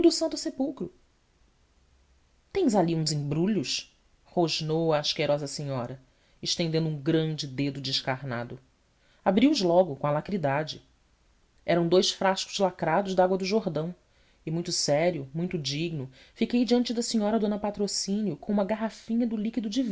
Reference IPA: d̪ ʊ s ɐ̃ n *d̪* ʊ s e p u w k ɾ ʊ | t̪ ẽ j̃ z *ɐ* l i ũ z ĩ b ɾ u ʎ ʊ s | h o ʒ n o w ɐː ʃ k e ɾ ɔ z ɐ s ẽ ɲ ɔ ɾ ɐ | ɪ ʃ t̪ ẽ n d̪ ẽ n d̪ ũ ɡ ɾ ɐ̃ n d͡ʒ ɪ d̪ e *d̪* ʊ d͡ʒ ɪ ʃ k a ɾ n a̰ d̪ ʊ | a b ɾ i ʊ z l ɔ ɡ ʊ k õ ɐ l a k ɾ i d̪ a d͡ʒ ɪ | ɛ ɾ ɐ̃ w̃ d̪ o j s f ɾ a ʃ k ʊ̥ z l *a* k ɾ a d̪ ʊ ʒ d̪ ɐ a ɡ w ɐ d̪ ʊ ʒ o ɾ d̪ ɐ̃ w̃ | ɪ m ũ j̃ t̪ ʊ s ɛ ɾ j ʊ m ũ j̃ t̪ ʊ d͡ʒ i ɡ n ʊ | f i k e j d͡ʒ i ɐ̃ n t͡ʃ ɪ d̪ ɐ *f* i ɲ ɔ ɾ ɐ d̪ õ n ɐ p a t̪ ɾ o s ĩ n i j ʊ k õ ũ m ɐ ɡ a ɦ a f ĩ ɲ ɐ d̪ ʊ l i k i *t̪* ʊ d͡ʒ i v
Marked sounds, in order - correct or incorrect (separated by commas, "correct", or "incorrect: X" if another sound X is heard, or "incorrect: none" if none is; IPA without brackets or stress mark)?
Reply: incorrect: t̪, incorrect: a, correct, correct, incorrect: s, incorrect: d̪